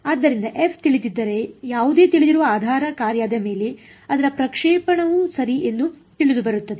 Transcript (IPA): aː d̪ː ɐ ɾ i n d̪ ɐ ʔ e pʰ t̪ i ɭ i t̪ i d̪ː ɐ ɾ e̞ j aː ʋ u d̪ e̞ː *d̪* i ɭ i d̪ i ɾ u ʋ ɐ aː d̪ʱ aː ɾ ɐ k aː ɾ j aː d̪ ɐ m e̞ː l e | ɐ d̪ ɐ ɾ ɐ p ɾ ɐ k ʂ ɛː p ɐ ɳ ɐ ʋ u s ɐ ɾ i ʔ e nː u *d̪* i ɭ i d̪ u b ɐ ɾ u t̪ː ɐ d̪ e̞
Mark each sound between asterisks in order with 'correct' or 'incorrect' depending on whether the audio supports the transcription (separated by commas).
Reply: incorrect, incorrect